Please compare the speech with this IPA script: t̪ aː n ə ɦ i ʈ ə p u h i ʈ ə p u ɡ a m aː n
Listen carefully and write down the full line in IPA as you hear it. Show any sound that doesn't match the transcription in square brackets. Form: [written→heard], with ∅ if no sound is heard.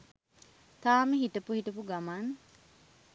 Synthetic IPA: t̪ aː [n→m] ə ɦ i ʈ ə p u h i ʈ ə p u ɡ a m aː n